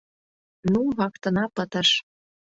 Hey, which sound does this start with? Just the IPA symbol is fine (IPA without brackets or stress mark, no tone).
n